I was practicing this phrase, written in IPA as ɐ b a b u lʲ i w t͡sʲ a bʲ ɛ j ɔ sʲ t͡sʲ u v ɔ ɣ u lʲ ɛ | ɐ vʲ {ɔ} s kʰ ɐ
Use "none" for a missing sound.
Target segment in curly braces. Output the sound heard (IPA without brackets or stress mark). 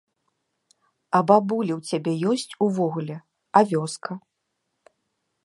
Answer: ɔ